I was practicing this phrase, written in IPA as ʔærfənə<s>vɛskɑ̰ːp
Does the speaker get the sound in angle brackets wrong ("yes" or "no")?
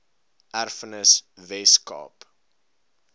no